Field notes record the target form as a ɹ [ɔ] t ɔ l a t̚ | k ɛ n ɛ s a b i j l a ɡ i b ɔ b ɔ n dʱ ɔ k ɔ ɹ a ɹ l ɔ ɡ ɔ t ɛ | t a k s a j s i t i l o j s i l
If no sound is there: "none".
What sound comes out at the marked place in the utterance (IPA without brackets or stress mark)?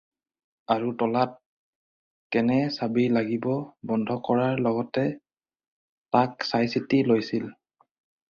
u